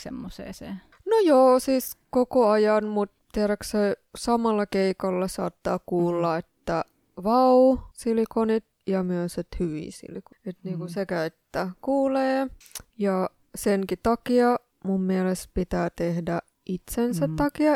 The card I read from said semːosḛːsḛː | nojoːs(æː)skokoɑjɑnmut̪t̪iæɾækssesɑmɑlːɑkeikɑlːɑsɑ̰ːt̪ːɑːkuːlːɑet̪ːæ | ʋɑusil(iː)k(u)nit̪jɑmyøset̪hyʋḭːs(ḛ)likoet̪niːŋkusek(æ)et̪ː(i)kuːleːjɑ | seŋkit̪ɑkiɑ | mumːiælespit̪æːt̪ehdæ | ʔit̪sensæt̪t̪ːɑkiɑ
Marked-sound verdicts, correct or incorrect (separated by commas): incorrect, incorrect, incorrect, incorrect, correct, incorrect